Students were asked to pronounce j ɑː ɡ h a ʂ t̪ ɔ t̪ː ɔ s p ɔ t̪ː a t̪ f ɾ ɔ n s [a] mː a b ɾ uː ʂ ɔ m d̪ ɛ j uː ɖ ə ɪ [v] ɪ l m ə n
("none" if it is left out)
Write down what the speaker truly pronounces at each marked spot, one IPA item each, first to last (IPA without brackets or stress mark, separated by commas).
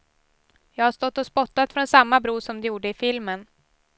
a, f